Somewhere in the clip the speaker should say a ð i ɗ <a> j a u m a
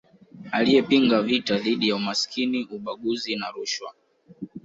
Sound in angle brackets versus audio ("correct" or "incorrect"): incorrect